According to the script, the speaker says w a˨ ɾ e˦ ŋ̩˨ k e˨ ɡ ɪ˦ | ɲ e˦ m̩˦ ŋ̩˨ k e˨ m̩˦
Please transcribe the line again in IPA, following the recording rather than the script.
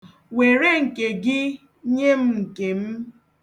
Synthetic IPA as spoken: w e˨ ɾ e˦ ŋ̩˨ k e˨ ɡ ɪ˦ | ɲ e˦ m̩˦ ŋ̩˨ k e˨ m̩˦